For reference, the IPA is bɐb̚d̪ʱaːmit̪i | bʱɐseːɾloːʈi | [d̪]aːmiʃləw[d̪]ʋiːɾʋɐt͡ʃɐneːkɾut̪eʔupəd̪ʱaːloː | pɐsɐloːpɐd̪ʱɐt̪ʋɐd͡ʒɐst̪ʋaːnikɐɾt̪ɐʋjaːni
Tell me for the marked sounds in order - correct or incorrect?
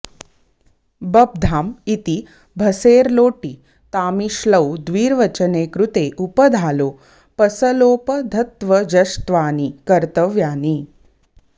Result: incorrect: t̪, correct

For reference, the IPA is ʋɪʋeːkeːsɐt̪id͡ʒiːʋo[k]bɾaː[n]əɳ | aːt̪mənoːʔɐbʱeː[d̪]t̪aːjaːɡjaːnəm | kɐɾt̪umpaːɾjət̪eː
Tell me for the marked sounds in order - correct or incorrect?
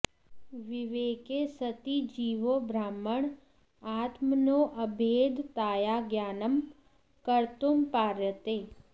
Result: incorrect: none, incorrect: m, correct

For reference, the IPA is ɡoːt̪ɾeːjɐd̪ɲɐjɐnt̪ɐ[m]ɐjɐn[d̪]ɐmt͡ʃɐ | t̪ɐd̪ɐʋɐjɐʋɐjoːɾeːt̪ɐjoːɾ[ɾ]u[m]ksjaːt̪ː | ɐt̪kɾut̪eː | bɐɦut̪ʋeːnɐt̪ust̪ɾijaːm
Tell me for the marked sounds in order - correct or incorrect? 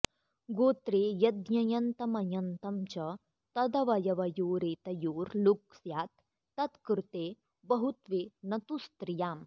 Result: correct, incorrect: t̪, incorrect: l, incorrect: none

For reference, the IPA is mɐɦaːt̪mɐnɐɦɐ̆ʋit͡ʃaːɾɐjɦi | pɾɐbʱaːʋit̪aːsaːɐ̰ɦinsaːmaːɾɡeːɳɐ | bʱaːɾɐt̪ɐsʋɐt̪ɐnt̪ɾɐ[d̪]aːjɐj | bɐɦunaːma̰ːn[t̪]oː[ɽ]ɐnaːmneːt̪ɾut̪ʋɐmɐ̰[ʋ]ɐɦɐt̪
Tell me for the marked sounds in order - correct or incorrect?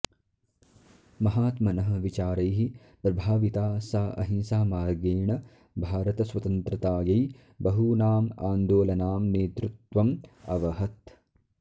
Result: incorrect: t̪, incorrect: d̪, incorrect: l, correct

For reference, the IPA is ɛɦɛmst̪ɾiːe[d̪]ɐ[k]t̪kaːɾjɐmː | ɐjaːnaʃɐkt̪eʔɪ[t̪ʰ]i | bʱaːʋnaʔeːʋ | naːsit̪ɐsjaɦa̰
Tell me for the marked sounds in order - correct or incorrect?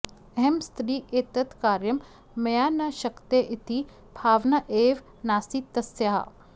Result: incorrect: t̪, incorrect: none, incorrect: t̪

